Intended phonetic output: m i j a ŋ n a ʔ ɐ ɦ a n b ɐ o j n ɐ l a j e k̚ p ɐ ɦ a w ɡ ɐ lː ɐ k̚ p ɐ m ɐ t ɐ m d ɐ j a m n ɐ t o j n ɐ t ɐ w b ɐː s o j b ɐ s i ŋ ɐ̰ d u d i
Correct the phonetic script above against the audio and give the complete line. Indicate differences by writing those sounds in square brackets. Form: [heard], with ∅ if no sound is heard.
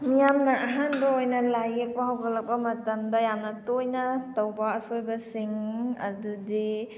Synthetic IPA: m i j a [m] n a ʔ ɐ ɦ a n b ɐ o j n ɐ l a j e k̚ p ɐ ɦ a w ɡ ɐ [l] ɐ k̚ p ɐ m ɐ t ɐ m d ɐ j a m n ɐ t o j n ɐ t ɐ w b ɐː s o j b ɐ s i ŋ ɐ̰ d u d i